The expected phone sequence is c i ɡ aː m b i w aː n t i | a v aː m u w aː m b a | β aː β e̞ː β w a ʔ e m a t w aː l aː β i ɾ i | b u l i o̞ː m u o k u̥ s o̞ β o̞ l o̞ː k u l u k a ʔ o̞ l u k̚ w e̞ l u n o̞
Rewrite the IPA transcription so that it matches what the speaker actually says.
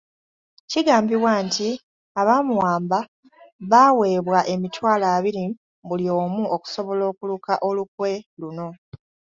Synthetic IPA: c i ɡ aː m b i w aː n t i | a β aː m u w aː m b a | β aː w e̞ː β w a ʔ e m i t w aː l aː β i ɾ i | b u l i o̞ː m u o k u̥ s o̞ β o̞ l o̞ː k u l u k a ʔ o̞ l u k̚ w e̞ l u n o̞

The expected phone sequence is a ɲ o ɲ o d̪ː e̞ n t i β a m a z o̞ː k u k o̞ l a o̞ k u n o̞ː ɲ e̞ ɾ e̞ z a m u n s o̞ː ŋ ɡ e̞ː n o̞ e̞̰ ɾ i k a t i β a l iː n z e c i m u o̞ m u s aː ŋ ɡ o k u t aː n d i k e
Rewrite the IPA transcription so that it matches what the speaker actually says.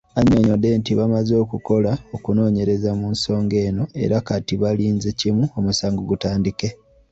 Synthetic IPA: a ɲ o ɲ o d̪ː e̞ n t i β a m a z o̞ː k u k o̞ l a o̞ k u n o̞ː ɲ e̞ ɾ e̞ z a m u n s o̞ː ŋ ɡ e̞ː n o̞ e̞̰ ɾ a k a t i β a l iː n z e c i m u o̞ m u s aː ŋ ɡ o ɡ u t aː n d i k e

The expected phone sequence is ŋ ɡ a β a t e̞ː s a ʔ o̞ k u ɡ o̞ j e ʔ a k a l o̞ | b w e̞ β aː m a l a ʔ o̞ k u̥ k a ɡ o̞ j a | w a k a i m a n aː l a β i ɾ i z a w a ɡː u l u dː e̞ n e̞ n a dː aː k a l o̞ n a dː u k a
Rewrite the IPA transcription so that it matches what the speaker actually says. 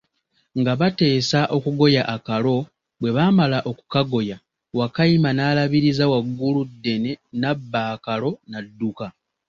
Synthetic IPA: ŋ ɡ a β a t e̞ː s a ʔ o̞ k u ɡ o̞ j a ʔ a k a l o̞ | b w e̞ β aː m a l a ʔ o̞ k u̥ k a ɡ o̞ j a | w a k a i m a n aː l a β i ɾ i z a w a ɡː u l u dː e̞ n e̞ n a bː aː k a l o̞ n a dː u k a

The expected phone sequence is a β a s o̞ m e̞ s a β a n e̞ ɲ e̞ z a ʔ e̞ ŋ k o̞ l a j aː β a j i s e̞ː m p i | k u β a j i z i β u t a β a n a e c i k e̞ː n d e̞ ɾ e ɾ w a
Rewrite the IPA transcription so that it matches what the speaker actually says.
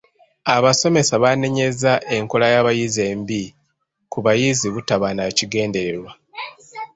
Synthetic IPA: a β a s o̞ m e̞ s a β a n e̞ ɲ e̞ z a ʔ e̞ ŋ k o̞ l a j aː β a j i z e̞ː m b i | k u β a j i z i β u t a β a n a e c i ɡ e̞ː n d e̞ ɾ e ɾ w a

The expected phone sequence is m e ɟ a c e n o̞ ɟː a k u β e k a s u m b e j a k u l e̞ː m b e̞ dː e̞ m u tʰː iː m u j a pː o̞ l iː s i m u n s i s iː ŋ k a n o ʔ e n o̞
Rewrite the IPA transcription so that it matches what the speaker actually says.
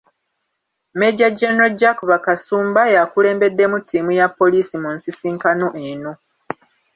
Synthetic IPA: m e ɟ a ɟ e n o̞ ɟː a k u β a k a s uː m b a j a k u l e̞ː m b e̞ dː e̞ m u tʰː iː m u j a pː o̞ l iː s i m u n s i s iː ŋ k a n o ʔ e n o̞

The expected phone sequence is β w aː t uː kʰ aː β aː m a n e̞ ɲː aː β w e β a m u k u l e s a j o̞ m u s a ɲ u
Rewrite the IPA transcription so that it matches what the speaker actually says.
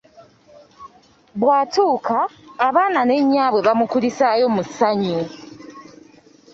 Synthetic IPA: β w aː t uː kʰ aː β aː n a n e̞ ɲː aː β w e β a m u k u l i s a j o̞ m u s a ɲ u

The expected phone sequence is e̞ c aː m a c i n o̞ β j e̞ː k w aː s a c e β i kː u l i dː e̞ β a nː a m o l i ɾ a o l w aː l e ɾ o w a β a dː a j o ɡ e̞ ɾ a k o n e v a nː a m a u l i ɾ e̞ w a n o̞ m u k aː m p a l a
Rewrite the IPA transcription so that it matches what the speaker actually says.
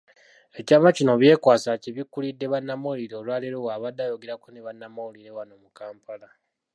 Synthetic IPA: e̞ c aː m a c i n o̞ β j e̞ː k w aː s a c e β i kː u l i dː e̞ β a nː a m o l i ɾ e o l w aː l e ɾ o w a β a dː a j o ɡ e̞ ɾ a k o n e β a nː a m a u l i ɾ e̞ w a n o̞ m u k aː m p a l a

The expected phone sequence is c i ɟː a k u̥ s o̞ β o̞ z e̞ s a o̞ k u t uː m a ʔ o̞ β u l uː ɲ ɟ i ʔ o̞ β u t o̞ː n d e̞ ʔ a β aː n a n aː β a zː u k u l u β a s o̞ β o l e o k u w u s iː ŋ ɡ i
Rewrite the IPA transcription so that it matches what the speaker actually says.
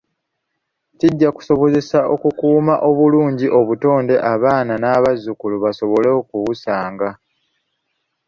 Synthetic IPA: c i ɟː a k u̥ s o̞ β o̞ z e̞ s a o̞ k u k uː m a ʔ o̞ β u l uː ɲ ɟ i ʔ o̞ β u t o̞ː n d e̞ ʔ a β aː n a n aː β a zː u k u l u β a s o̞ β o l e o k u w u s aː ŋ ɡ a

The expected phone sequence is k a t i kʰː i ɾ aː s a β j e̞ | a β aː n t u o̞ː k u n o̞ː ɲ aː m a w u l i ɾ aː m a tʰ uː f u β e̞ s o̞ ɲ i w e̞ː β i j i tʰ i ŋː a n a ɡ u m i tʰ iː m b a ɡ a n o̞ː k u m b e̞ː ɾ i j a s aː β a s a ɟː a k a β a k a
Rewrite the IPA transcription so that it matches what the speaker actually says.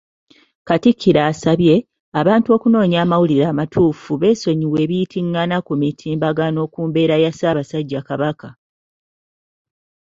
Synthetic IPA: k a t i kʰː i ɾ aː s a β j e̞ | a β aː n t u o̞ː k u n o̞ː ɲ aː m a w u l i ɾ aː m a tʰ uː f u β e̞ s o̞ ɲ i w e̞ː β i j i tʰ i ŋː a n a k u m i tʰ iː m b a ɡ a n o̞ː k uː m b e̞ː ɾ a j a s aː β a s a ɟː a k a β a k a

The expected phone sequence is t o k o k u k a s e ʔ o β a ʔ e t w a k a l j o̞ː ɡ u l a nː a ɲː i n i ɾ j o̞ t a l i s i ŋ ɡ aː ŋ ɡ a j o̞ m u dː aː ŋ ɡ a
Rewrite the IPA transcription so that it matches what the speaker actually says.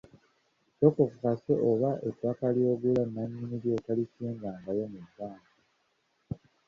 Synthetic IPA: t o k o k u k a s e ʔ o β a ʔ e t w a k a l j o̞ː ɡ u l a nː a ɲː i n i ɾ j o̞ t a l i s iː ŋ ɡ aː ŋ ɡ a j o̞ m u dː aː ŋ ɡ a

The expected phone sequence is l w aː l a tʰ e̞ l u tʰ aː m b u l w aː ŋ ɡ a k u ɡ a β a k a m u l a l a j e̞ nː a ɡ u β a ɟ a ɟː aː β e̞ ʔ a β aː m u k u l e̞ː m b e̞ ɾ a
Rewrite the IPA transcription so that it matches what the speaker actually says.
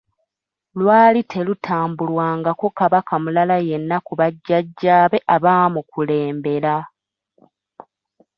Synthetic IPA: l w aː l i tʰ e̞ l u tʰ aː m b u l w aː ŋ ɡ a k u k a β a k a m u l a l a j e̞ nː a k u β a ɟː a ɟː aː β e̞ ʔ a β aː m u k u l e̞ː m b e̞ ɾ a

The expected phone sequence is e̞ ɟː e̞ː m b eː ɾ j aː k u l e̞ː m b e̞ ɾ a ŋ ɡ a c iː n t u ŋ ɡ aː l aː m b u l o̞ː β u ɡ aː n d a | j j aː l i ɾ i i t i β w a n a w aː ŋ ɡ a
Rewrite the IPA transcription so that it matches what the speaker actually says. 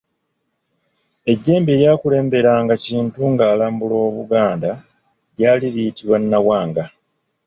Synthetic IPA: e̞ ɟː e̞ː m b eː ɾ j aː k u l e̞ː m b e̞ ɾ a ŋ ɡ a c iː n t u ŋ ɡ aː l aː m b u l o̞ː β u ɡ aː n d a | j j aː l i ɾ i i t i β w a nː a w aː ŋ ɡ a

